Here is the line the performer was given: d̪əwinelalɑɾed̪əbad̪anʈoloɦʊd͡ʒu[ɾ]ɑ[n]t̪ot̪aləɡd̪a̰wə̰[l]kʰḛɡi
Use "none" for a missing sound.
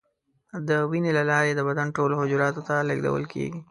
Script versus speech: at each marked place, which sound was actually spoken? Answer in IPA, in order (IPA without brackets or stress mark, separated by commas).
ɾ, none, l